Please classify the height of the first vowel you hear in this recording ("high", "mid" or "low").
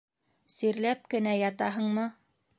high